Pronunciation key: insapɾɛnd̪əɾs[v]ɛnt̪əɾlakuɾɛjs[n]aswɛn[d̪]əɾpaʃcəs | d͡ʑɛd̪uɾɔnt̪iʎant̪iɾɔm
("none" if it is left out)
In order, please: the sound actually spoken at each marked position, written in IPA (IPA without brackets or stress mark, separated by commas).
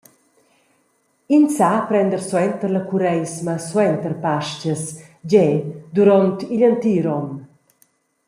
w, m, t̪